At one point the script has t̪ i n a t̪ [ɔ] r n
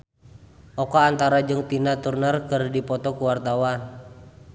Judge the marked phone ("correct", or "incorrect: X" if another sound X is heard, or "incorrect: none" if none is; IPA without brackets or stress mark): incorrect: u